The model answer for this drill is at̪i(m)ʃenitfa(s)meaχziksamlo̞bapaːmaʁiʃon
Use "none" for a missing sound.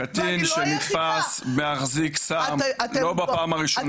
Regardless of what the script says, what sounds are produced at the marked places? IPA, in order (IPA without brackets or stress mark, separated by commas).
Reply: n, s